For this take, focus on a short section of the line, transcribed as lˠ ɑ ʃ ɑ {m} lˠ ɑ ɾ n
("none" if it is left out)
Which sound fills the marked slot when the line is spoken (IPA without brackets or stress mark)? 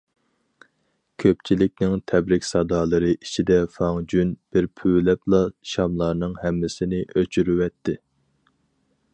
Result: m